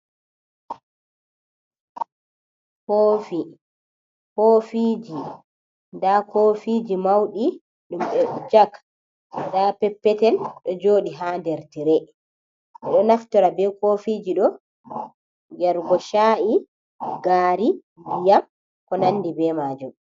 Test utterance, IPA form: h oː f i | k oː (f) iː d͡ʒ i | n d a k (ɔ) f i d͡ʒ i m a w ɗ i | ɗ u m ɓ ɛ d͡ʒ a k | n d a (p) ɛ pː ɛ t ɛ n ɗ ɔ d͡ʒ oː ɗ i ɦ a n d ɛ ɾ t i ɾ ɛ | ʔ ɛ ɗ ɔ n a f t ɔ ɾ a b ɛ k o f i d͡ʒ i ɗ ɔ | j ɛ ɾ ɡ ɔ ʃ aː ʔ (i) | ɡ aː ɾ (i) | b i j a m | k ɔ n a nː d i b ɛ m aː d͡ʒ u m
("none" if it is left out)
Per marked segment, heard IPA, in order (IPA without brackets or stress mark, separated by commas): f, o, p, i, i